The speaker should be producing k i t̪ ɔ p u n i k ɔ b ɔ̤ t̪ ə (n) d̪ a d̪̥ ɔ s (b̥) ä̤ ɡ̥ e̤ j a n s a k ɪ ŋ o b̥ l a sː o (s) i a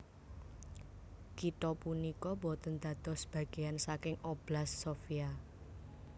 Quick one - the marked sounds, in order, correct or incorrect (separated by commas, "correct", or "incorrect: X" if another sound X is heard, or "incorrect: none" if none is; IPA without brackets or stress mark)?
correct, correct, incorrect: f